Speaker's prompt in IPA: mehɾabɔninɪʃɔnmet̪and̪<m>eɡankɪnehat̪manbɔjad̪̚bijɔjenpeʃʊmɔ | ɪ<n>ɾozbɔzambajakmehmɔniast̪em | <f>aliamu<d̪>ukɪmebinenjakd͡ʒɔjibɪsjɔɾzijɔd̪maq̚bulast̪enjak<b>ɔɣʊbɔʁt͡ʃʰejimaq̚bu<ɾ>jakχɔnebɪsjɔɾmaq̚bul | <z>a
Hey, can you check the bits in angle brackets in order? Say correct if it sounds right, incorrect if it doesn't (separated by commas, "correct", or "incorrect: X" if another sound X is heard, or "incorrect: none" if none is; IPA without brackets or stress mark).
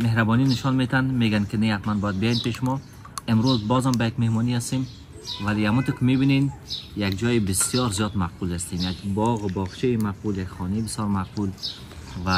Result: correct, incorrect: m, incorrect: v, incorrect: t̪, correct, incorrect: l, incorrect: v